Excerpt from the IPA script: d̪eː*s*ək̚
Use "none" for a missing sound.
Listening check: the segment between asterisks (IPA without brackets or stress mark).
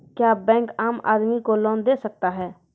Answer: s